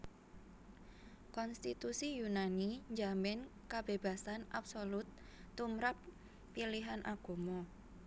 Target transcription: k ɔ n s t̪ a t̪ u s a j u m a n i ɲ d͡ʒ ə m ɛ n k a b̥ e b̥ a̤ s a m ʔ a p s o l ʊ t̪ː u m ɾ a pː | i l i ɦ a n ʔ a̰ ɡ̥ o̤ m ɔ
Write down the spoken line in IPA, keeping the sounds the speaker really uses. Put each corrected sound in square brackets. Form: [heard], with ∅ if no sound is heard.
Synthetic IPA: k ɔ n s t̪ [i] t̪ u s [i] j u [n] a n i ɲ d͡ʒ [a] m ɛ n k a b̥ e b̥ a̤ s a [n] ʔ a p s o l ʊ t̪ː u m ɾ a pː | i l i ɦ a n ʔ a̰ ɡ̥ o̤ m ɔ

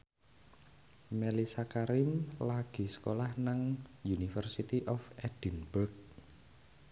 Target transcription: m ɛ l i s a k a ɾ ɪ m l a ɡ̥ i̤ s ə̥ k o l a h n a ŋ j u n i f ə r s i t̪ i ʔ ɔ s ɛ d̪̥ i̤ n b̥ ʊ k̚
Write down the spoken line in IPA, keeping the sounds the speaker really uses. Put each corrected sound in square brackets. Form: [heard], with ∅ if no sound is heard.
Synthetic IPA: m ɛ l i s a k a ɾ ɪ m l a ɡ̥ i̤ s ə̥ k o l a h n a ŋ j u n i f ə r s i t̪ i ʔ ɔ [f] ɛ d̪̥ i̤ n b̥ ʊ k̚

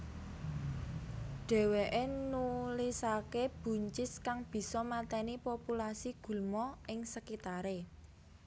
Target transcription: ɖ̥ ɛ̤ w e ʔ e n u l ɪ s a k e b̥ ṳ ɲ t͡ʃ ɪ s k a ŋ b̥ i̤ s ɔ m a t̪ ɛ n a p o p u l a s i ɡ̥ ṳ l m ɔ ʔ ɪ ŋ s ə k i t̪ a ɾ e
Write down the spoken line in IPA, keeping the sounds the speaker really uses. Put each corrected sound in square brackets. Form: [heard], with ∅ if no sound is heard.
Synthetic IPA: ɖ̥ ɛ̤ w e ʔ e n u l [i] s a k e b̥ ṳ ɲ t͡ʃ ɪ s k a ŋ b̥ i̤ s ɔ m a t̪ ɛ n [i] p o p u l a s i ɡ̥ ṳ l m ɔ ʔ ɪ ŋ s ə k i t̪ a ɾ e

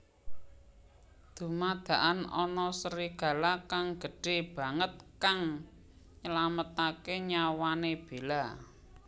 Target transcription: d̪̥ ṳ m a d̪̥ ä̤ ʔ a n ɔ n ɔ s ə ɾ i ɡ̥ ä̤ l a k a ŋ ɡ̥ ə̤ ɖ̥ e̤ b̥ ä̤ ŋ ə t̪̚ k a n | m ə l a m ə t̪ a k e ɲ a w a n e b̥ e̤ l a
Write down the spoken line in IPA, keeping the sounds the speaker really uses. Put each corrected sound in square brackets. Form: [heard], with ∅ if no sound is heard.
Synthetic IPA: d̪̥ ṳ m a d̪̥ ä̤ ʔ a n ɔ n ɔ s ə ɾ i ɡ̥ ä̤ l a k a ŋ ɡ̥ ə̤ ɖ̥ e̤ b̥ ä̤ ŋ ə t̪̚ k a [ŋ] | [ɲ] ə l a m ə t̪ a k e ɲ a w a n e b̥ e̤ l a

